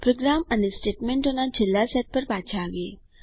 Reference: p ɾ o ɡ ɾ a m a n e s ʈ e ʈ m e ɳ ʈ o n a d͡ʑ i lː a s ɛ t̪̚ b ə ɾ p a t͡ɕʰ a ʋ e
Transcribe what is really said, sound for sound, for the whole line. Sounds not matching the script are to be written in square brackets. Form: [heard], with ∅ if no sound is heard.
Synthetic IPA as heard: p ɾ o ɡ ɾ a m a n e s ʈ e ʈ m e ɳ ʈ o n a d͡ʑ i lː a s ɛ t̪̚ [p] ə ɾ p a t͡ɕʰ a ʋ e